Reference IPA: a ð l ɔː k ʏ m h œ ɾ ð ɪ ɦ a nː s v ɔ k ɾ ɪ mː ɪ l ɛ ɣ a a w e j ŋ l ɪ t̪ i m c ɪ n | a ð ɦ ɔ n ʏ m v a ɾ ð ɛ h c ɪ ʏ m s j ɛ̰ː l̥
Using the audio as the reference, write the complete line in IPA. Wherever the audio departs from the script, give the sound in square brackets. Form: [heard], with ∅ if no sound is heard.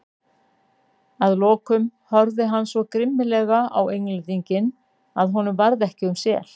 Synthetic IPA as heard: a ð l ɔː k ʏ m h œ ɾ ð ɪ ɦ a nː s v ɔ k ɾ ɪ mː ɪ l ɛ ɣ a a w e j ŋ l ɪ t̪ i [ɲ] c ɪ n | a ð ɦ ɔ n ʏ m v a ɾ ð ɛ h c ɪ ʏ m s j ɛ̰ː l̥